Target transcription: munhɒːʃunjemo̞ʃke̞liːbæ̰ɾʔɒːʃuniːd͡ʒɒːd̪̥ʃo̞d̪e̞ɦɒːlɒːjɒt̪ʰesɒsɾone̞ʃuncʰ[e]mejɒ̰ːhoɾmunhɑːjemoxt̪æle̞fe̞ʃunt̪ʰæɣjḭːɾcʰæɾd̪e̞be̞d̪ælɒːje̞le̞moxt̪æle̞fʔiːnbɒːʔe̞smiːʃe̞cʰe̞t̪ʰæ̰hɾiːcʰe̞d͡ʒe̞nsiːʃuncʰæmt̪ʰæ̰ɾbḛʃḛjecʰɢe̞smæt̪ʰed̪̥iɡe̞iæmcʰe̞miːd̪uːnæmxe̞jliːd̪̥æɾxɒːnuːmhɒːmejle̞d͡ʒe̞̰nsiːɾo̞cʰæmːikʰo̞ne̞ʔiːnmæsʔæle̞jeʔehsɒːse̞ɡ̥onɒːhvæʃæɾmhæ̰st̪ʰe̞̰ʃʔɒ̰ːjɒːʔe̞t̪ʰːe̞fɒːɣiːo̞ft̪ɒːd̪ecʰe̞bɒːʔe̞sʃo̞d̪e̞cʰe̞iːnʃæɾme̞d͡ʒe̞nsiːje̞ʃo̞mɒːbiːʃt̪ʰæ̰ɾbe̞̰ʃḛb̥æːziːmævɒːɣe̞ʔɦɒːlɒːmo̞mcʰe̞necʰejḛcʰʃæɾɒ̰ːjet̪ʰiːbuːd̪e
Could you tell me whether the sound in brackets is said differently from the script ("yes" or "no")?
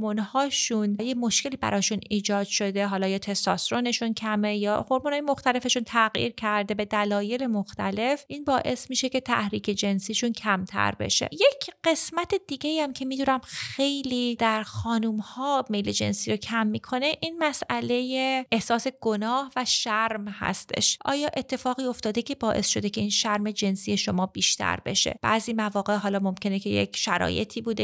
yes